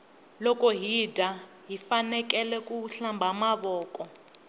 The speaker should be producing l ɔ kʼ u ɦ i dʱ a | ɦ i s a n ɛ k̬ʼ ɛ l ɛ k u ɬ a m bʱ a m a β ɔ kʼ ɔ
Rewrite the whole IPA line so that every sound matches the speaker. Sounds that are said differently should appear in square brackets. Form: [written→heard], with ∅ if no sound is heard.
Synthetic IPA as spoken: l ɔ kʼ [u→ɔ] ɦ i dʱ a | ɦ i [s→f] a n ɛ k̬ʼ ɛ l ɛ k u ɬ a m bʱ a m a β [ɔ→ɔː] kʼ ɔ